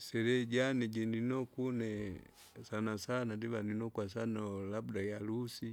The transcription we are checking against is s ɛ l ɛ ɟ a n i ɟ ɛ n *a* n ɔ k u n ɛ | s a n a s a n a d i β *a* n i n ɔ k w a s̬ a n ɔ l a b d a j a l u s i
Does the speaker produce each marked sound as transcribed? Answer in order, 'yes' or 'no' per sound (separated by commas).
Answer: no, yes